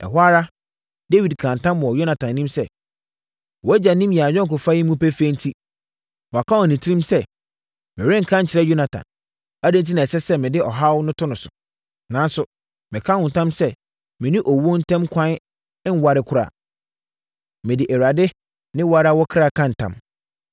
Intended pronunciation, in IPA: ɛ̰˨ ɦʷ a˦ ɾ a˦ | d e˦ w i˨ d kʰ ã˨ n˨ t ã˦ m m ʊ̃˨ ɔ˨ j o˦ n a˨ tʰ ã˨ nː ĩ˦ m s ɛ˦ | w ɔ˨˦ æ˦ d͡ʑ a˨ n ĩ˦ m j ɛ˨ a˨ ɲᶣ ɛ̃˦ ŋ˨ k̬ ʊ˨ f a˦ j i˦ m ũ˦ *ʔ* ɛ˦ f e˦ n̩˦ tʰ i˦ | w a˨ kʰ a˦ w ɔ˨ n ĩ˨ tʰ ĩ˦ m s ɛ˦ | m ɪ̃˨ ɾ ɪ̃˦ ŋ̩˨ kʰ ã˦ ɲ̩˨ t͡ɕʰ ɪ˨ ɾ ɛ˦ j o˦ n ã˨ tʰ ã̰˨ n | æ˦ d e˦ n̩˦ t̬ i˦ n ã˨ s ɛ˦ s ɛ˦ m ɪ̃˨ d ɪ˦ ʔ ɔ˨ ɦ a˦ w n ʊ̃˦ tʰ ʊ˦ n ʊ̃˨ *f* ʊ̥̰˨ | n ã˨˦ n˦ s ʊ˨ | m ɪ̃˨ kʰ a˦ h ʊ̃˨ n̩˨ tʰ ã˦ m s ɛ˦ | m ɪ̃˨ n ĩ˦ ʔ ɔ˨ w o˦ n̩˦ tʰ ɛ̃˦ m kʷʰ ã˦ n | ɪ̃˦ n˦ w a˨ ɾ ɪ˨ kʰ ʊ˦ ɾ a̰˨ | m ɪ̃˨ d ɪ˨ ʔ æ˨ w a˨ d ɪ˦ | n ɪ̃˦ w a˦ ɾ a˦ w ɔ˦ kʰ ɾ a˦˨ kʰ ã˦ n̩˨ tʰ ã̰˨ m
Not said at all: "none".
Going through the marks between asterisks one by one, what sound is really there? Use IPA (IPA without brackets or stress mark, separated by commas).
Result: p, s